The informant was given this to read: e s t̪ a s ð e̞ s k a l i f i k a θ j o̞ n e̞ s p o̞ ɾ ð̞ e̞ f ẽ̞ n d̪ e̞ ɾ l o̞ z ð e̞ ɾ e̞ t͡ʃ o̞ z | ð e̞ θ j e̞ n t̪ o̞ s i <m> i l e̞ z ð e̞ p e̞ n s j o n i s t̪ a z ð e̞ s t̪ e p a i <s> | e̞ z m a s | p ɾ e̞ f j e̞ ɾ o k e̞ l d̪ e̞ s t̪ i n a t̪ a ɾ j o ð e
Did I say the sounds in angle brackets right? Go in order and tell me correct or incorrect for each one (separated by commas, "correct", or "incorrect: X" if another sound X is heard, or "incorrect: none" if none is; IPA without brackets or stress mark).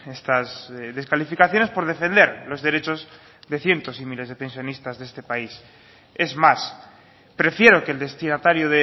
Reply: correct, correct